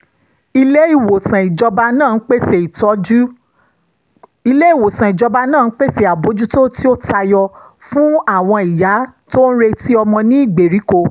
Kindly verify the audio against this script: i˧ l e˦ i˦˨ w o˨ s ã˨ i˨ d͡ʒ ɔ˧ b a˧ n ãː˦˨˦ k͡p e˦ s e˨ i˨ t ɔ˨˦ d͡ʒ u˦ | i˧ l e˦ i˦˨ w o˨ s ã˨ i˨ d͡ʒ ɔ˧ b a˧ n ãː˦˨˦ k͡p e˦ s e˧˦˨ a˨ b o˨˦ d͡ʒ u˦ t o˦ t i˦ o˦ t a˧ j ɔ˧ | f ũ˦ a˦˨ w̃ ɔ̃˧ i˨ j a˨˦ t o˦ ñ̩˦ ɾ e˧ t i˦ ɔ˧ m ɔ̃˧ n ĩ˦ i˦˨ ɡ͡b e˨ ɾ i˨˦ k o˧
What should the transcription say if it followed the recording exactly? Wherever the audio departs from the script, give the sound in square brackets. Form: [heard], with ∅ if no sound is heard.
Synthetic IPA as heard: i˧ l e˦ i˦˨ w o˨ s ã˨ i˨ d͡ʒ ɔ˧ b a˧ n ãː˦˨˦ k͡p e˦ s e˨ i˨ t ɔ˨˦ d͡ʒ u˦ | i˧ l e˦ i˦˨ w o˨ s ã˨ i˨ d͡ʒ ɔ˧ b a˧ n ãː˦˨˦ k͡p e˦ s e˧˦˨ a˨ b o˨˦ d͡ʒ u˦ t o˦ t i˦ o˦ t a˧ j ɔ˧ | f ũ˦ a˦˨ w̃ ɔ̃˧ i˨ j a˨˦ t o˦ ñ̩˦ ɾ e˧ t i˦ ɔ˧ m ɔ̃˧ n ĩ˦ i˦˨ ɡ͡b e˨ ɾ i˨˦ k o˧